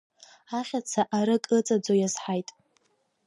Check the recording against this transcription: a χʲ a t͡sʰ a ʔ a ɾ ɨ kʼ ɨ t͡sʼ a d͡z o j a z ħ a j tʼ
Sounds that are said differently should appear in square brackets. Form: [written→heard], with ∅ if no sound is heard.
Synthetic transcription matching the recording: a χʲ a t͡sʰ a ʔ a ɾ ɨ kʼ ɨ t͡sʼ a d͡z o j a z ħ a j tʼ

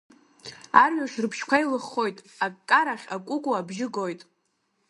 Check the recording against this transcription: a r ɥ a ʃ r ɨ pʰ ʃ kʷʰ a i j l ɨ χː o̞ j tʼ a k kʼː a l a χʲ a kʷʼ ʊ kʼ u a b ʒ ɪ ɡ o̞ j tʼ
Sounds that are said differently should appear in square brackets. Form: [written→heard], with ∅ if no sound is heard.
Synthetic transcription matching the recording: a r ɥ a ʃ r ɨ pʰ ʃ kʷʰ a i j l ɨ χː o̞ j tʼ a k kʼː a [l→ɾ] a χʲ a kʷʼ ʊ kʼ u a b ʒ ɪ ɡ o̞ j tʼ

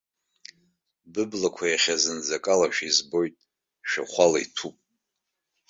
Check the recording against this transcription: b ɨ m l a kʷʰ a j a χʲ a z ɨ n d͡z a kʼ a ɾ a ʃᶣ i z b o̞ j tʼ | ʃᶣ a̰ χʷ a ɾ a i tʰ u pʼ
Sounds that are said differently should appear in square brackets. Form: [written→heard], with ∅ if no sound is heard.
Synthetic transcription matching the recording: b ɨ [m→b] l a kʷʰ a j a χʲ a z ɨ n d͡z a kʼ a [ɾ→l] a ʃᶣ i z b o̞ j tʼ | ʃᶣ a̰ χʷ a [ɾ→l] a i tʰ u pʼ

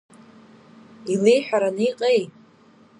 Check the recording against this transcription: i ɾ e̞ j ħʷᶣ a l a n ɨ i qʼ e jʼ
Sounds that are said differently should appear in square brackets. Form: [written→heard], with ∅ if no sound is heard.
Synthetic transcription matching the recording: i [ɾ→l] e̞ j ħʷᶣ a [l→ɾ] a n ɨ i qʼ e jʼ

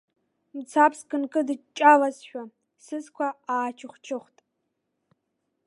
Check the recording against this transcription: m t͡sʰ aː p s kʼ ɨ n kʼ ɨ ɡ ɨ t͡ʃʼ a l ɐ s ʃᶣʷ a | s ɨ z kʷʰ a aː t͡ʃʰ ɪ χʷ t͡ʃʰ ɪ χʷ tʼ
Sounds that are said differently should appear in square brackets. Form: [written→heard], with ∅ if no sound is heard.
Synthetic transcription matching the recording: m t͡sʰ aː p s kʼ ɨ n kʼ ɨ [ɡ→d] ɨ t͡ʃʼ a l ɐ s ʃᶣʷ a | s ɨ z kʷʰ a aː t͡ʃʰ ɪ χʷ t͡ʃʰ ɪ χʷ tʼ

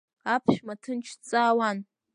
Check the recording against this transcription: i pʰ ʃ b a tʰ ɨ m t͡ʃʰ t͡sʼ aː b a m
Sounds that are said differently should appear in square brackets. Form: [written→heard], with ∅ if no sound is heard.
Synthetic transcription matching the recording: [i→a] pʰ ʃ [b→m] a tʰ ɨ [m→n] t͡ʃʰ t͡sʼ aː [b→w] a [m→n]

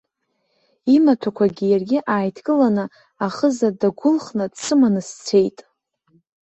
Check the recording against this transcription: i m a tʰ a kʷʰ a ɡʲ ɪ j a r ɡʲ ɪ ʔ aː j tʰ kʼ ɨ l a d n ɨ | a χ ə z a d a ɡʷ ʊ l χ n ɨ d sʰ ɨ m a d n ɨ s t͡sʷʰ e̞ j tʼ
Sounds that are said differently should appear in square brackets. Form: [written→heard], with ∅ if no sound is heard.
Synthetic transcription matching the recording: i m a tʰ a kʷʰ a ɡʲ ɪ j a r ɡʲ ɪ ʔ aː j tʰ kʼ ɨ l a [d→∅] n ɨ | a χ ə z a d a ɡʷ ʊ l χ n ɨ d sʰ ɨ m a [d→∅] n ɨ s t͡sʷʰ e̞ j tʼ

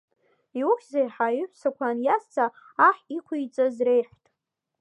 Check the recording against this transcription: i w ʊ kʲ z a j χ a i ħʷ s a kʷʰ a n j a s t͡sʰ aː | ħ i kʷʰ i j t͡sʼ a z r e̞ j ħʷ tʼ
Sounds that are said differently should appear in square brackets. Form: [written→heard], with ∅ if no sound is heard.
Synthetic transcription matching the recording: i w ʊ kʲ z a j [χ→ħ] a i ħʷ s a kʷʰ a n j a s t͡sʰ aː | ħ i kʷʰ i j t͡sʼ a z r e̞ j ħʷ tʼ

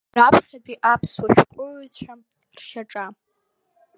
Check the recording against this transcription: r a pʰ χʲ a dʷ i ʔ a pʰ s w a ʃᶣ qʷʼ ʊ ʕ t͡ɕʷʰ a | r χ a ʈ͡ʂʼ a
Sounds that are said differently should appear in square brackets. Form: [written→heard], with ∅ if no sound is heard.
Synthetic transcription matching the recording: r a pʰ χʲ a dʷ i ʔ a pʰ s w a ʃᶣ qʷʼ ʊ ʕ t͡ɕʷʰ a | r [χ→ʃ] a ʈ͡ʂʼ a

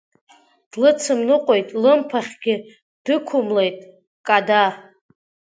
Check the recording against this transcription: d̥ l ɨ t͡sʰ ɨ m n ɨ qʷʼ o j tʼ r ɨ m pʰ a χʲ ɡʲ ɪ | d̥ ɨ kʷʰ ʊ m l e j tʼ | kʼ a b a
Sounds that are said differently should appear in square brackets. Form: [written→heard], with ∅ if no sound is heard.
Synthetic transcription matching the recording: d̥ l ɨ t͡sʰ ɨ m n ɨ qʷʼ o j tʼ [r→l] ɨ m pʰ a χʲ ɡʲ ɪ | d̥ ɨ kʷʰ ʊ m l e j tʼ | kʼ a [b→d] a

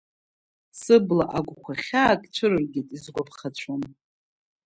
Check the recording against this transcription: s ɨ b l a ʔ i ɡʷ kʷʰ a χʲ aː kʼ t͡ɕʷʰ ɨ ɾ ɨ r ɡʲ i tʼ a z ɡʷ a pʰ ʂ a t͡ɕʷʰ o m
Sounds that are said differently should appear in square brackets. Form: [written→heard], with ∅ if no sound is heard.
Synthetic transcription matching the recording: s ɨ b l a ʔ [i→a] ɡʷ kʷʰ a χʲ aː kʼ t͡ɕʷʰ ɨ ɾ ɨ r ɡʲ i tʼ [a→i] z ɡʷ a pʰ [ʂ→χ] a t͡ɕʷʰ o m

